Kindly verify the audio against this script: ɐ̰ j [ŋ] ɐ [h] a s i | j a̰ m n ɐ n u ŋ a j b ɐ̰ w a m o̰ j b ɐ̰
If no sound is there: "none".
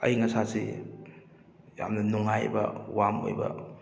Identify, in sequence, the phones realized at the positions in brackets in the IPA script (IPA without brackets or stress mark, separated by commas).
ŋ, s